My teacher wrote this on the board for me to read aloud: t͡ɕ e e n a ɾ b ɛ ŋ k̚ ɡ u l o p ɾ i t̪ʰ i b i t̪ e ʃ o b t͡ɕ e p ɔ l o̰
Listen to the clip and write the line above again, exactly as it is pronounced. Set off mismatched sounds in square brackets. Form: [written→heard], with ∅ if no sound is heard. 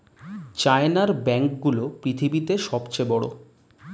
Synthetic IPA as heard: t͡ɕ [e→a] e n a ɾ b ɛ ŋ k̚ ɡ u l o p ɾ i t̪ʰ i b i t̪ e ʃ [o→ɔ] b t͡ɕ e [p→b] ɔ [l→ɽ] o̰